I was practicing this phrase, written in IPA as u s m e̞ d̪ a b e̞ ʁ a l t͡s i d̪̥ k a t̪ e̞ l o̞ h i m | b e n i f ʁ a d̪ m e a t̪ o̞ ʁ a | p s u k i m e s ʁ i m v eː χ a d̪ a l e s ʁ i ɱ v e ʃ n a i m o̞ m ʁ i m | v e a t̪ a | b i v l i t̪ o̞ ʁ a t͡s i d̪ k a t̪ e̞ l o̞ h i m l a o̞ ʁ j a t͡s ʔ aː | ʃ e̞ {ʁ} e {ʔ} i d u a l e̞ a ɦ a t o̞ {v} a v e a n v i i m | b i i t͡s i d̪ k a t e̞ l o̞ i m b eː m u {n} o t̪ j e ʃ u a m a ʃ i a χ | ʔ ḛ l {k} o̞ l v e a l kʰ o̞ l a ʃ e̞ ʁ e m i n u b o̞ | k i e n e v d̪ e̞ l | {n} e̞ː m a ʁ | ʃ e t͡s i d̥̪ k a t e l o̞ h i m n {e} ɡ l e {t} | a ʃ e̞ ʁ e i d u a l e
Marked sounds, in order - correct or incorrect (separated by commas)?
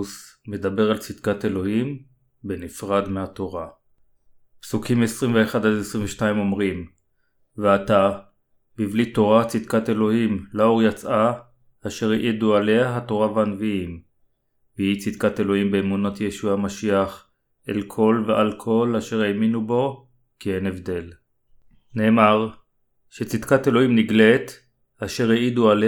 correct, correct, incorrect, correct, incorrect, correct, incorrect, correct